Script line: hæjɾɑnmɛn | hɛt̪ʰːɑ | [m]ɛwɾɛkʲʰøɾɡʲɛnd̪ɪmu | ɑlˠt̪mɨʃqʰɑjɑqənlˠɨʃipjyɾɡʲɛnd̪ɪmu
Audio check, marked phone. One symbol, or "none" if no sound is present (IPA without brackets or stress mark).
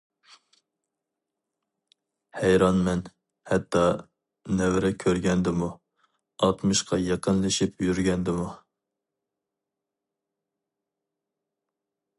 n